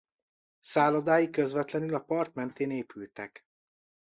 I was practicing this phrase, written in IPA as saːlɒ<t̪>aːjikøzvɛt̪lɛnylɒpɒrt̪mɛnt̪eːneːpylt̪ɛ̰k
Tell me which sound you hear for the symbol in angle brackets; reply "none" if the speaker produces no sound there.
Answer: d̪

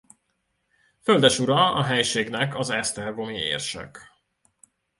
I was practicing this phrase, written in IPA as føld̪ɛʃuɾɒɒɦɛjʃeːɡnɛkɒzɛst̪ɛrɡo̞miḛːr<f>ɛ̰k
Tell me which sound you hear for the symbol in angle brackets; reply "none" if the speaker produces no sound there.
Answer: ʃ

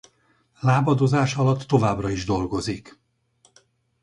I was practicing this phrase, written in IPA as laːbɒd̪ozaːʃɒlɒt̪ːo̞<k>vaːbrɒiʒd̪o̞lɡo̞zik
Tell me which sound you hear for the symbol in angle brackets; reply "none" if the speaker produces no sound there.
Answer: none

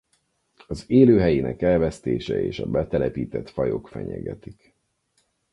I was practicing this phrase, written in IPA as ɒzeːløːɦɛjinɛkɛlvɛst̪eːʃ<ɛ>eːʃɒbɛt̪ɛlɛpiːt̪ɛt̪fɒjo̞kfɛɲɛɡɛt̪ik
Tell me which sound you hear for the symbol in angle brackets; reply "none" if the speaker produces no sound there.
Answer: ɛ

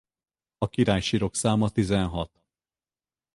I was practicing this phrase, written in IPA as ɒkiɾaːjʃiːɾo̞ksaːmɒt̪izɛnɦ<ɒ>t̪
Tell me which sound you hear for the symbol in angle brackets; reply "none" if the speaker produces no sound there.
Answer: ɒ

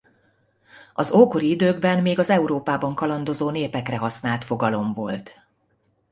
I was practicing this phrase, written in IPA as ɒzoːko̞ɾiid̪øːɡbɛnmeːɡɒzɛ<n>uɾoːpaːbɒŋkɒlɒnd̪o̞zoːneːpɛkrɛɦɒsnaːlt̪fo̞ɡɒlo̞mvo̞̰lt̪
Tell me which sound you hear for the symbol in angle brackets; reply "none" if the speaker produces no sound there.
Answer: none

